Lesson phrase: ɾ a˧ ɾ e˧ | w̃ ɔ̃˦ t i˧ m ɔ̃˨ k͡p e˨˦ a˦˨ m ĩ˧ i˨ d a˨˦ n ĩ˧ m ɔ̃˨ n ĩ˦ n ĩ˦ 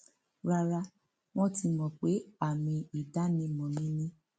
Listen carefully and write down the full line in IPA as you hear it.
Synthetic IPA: ɾ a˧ ɾ a˧ | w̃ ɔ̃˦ t i˧ m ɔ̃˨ k͡p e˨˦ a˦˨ m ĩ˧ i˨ d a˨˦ n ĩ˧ m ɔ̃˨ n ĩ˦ n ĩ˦